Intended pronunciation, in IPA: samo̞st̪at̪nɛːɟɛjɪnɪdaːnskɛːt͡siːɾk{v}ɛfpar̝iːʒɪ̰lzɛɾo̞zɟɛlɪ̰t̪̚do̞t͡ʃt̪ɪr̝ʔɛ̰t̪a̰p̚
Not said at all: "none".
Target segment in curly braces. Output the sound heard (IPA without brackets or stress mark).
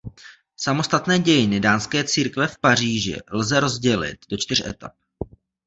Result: v